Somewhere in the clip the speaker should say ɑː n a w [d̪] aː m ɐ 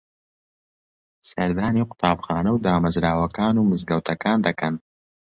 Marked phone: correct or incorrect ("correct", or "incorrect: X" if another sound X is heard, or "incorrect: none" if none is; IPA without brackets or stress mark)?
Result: correct